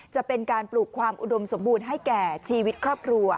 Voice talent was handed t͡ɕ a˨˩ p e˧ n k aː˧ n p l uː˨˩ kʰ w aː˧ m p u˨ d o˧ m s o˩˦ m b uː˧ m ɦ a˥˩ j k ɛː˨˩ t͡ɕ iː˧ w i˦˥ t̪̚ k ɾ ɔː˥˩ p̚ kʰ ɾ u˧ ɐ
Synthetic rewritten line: t͡ɕ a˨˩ p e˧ n k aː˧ n p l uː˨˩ kʰ w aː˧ m ʔ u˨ d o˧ m s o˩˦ m b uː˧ n ɦ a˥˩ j k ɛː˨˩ t͡ɕʰ iː˧ w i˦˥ t̪̚ kʰ ɾ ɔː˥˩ p̚ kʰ ɾ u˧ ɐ

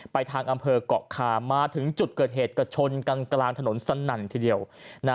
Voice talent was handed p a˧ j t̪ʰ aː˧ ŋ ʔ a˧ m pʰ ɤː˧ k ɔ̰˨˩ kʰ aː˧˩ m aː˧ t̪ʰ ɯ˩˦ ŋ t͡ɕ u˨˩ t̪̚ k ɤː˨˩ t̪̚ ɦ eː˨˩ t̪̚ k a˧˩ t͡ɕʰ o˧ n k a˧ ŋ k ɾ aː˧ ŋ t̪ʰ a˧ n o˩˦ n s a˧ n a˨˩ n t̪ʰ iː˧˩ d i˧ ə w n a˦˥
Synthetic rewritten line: p a˧ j t̪ʰ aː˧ ŋ ʔ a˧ m pʰ ɤː˧ k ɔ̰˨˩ kʰ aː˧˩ m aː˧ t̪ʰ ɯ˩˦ ŋ t͡ɕ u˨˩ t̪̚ k ɤː˨˩ t̪̚ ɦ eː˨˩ t̪̚ k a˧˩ t͡ɕʰ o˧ n k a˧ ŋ k l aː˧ ŋ t̪ʰ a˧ n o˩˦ n s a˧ n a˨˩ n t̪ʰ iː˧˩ d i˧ ə w n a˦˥

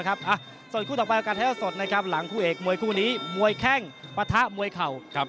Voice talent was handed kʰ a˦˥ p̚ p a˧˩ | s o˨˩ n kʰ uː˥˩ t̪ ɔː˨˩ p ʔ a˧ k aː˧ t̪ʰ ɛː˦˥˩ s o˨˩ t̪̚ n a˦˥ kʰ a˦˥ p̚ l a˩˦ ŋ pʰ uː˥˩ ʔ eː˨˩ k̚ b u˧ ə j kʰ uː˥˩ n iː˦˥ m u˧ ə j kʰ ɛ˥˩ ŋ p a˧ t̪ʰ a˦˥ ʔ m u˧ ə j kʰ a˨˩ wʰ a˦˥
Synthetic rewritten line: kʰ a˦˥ p̚ ʔ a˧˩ | s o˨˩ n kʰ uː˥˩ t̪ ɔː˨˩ p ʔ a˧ k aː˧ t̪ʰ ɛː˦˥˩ s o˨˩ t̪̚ n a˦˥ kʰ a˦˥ p̚ l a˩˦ ŋ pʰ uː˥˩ ʔ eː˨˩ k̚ m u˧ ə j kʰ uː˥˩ n iː˦˥ m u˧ ə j kʰ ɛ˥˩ ŋ p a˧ t̪ʰ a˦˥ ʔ m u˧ ə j kʰ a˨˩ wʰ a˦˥

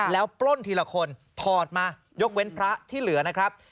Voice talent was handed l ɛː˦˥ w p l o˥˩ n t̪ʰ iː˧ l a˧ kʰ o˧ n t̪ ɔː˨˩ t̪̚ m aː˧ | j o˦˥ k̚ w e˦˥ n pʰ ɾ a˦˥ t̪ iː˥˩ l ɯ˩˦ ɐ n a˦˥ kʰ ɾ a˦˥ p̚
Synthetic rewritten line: l ɛː˦˥ w p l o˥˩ n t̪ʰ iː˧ l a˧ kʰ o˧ n t̪ʰ ɔː˨˩ t̪̚ m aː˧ | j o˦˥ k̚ w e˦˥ n pʰ ɾ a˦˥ t̪ʰ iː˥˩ l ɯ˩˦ ɐ n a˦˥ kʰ ɾ a˦˥ p̚

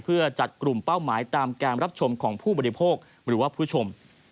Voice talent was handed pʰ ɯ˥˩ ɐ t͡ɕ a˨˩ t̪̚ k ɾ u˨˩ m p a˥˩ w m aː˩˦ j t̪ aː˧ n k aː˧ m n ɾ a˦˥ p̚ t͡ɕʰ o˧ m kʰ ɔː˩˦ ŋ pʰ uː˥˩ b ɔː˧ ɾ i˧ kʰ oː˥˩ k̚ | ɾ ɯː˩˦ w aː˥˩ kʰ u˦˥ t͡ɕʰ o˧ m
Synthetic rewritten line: pʰ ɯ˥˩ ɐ t͡ɕ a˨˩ t̪̚ k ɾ u˨˩ m p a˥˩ w m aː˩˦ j t̪ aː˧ m k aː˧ n ɾ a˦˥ p̚ t͡ɕʰ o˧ m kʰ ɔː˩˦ ŋ pʰ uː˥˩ b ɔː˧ ɾ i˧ pʰ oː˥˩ k̚ | ɾ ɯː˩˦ w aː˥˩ pʰ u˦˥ t͡ɕʰ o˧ m

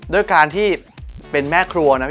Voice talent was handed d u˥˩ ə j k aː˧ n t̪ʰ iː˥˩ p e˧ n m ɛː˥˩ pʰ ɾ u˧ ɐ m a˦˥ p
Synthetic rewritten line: d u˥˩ ə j k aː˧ n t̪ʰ iː˥˩ p e˧ n m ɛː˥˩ kʰ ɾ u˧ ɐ n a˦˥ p

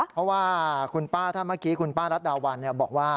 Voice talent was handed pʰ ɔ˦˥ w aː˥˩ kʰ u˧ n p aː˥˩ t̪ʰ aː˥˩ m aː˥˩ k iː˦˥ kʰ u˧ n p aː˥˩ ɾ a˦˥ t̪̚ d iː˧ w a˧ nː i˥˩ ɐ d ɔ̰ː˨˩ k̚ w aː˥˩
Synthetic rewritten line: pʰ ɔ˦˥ w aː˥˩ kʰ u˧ n p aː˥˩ t̪ʰ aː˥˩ m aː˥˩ k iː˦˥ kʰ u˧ n p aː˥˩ ɾ a˦˥ t̪̚ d aː˧ w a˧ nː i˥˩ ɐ b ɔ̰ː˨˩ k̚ w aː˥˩

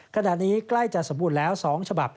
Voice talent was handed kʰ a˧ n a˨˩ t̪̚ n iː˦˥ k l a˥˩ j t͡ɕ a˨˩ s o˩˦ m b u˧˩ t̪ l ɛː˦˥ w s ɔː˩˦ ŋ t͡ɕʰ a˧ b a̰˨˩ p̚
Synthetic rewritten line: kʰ a˧ n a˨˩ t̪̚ n iː˦˥ k l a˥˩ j t͡ɕ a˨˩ s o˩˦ m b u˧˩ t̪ l ɛː˦˥ w s ɔː˩˦ ŋ t͡ɕʰ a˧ b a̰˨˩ p̚

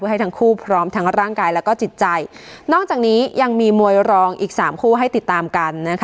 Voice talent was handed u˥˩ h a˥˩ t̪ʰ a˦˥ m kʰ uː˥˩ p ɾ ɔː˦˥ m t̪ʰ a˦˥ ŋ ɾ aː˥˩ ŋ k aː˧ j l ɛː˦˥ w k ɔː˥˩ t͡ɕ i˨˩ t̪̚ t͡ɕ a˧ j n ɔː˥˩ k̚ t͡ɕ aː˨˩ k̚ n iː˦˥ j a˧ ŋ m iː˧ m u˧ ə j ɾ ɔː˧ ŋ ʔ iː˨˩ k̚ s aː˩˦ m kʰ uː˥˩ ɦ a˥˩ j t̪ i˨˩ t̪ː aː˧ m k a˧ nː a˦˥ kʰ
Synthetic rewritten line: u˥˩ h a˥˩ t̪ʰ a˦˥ ŋ kʰ uː˥˩ pʰ ɾ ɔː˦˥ m t̪ʰ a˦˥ ŋ ɾ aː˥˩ ŋ k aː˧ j l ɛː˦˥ w k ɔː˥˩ t͡ɕ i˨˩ t̪̚ t͡ɕ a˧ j n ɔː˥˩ k̚ t͡ɕ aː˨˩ k̚ n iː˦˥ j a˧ ŋ m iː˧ m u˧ ə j ɾ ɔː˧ ŋ ʔ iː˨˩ k̚ s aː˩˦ m kʰ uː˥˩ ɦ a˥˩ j t̪ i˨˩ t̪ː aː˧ m k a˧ nː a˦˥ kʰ

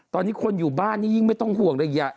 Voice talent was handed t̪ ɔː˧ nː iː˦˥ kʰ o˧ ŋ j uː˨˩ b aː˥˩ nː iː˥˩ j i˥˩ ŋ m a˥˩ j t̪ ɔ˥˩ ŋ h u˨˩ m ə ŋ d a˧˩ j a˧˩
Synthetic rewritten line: t̪ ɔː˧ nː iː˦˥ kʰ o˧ n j uː˨˩ b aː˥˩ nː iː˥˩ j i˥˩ ŋ m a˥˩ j t̪ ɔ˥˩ ŋ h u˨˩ ə ŋ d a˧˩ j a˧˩

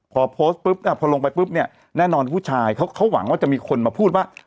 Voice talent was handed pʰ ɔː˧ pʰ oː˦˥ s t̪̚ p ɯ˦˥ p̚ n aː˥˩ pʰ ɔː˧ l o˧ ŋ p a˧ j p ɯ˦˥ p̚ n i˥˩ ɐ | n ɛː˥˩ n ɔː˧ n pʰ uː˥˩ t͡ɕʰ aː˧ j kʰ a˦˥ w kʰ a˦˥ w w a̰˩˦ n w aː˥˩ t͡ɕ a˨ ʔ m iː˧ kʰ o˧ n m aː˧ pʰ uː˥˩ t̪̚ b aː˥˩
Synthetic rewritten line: pʰ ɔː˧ pʰ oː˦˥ s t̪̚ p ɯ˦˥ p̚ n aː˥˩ pʰ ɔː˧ l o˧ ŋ p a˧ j p ɯ˦˥ p̚ n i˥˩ ɐ | n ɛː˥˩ n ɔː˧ n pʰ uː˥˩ t͡ɕʰ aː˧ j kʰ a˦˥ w kʰ a˦˥ w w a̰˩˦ ŋ w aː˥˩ t͡ɕ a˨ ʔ m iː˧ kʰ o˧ n m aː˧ pʰ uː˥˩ t̪̚ w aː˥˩

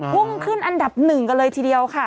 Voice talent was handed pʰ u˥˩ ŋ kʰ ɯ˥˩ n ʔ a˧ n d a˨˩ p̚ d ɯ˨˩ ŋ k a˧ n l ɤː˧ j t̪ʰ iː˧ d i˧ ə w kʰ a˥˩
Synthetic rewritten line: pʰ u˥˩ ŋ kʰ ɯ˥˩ n ʔ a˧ n d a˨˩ p̚ n ɯ˨˩ ŋ k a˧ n l ɤː˧ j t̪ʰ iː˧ d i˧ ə w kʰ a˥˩

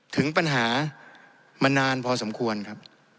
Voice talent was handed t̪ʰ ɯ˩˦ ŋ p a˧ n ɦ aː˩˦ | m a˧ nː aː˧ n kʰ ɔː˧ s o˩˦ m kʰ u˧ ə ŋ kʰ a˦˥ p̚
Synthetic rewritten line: t̪ʰ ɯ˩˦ ŋ p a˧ n ɦ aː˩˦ | m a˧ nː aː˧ n pʰ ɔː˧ s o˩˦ m kʰ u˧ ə n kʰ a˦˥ p̚

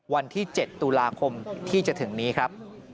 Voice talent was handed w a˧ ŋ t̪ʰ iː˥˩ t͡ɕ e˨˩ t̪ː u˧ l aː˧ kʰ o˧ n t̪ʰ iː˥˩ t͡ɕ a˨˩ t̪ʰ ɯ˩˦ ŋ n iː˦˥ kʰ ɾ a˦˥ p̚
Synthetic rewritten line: w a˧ n t̪ʰ iː˥˩ t͡ɕ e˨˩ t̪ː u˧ l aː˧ kʰ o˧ m t̪ʰ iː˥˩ t͡ɕ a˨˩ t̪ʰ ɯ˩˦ ŋ n iː˦˥ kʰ ɾ a˦˥ p̚

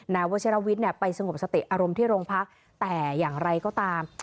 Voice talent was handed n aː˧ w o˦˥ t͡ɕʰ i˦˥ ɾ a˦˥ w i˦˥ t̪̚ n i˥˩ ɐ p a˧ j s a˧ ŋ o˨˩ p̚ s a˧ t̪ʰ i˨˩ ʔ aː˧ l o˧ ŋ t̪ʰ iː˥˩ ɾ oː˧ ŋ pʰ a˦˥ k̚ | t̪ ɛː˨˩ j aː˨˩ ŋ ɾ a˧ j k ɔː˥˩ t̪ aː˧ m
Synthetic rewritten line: n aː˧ w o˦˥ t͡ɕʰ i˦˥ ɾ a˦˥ w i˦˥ t̪̚ n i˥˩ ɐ p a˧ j s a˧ ŋ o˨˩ p̚ s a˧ t̪ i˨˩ ʔ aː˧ ɾ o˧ m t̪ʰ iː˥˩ ɾ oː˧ ŋ pʰ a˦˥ k̚ | t̪ ɛː˨˩ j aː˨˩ ŋ ɾ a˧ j k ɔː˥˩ t̪ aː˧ m

